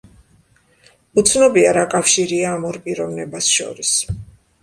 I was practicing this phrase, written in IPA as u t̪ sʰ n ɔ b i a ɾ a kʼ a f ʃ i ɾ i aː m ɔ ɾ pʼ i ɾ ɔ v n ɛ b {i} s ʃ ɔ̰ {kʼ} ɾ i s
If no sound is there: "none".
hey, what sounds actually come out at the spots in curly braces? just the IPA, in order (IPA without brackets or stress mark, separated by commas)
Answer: a, none